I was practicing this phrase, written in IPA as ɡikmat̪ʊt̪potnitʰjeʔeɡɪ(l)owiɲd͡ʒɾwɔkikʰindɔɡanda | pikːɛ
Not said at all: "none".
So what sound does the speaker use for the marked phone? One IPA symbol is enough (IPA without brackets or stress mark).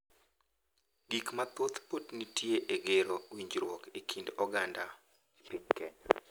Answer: ɾ